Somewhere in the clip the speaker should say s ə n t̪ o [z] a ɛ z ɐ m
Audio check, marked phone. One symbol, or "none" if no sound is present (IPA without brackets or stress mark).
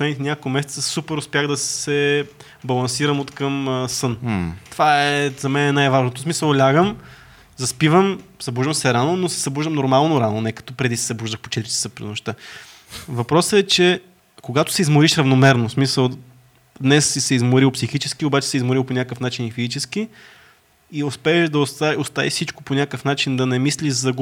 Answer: v